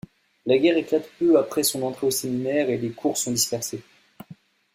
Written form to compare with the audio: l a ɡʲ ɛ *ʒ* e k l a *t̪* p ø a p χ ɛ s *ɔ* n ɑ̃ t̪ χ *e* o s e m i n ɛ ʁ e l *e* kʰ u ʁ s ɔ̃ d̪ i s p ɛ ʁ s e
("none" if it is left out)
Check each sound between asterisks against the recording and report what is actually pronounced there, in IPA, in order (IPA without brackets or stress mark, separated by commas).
ʁ, t̪, ɔ̃, e, e